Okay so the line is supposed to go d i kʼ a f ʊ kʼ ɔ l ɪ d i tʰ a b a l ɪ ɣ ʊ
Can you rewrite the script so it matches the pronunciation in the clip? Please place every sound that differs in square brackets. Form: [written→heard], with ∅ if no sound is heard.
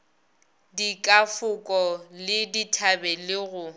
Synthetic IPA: d i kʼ a f ʊ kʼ ɔ l ɪ d i tʰ a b [a→ɛ] l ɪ ɣ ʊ